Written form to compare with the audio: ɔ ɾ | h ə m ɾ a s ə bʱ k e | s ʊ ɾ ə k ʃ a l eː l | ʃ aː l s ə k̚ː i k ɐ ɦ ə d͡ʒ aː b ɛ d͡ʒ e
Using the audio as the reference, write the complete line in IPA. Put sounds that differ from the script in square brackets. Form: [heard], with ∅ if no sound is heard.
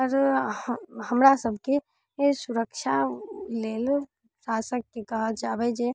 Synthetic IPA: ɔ ɾ | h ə m ɾ a s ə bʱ k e | s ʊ ɾ ə k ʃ a l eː l | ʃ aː [∅] s ə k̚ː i k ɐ ɦ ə d͡ʒ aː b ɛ d͡ʒ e